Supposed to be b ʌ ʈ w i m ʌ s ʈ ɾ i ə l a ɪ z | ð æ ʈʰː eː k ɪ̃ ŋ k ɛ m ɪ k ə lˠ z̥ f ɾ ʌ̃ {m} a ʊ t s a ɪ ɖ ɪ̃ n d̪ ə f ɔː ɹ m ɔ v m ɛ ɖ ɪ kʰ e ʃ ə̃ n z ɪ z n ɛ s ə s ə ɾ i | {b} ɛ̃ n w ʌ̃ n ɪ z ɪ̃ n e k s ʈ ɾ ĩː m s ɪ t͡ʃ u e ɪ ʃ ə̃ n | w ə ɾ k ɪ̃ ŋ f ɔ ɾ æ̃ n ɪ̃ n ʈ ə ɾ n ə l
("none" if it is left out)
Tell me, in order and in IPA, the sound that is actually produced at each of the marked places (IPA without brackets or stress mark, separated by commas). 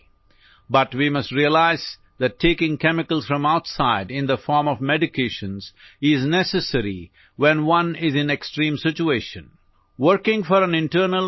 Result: m, w